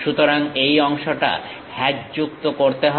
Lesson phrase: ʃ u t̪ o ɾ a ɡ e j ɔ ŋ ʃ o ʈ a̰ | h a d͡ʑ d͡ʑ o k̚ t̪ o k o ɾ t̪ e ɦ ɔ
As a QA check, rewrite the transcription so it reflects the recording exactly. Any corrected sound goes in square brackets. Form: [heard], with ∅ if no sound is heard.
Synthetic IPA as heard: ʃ u t̪ o ɾ a [ŋ] e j ɔ ŋ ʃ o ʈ a̰ | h [ɛ] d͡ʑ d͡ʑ [u] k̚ t̪ o k o ɾ t̪ e ɦ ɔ